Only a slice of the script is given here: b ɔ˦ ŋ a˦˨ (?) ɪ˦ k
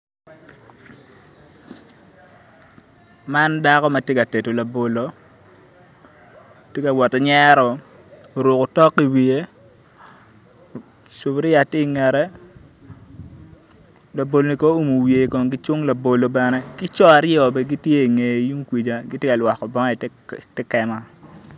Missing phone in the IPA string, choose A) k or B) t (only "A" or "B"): B